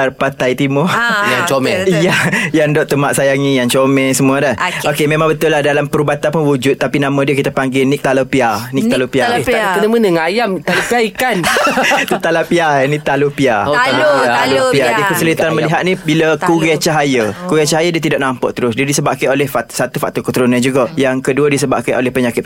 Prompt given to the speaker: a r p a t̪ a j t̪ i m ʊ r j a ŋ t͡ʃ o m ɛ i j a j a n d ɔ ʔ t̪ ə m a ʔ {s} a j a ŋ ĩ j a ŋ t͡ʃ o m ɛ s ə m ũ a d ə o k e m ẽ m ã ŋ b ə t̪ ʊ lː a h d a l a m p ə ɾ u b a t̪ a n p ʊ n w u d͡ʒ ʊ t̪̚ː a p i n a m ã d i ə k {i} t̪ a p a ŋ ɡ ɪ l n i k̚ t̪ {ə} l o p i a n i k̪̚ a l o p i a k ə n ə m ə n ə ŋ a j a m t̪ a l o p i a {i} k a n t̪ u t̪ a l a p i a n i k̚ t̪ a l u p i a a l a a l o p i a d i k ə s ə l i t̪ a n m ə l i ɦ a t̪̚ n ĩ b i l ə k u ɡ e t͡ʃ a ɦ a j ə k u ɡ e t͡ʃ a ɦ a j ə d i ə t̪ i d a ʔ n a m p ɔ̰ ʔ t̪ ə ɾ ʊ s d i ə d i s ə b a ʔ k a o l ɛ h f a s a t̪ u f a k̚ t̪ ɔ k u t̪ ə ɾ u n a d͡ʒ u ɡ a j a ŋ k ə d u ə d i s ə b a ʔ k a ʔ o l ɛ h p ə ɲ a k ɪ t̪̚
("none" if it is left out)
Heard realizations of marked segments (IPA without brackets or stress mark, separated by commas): s, i, a, i